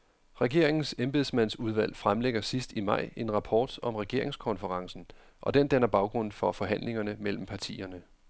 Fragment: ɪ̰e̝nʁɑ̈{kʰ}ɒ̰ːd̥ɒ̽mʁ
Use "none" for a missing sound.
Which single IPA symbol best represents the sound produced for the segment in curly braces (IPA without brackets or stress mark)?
pʰ